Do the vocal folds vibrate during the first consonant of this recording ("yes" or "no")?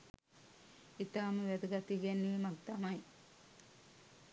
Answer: no